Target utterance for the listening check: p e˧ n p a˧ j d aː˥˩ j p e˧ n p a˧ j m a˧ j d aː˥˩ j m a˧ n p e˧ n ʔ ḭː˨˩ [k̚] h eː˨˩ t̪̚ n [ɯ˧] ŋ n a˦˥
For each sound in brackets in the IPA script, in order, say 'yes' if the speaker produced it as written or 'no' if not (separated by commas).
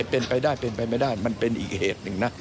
yes, yes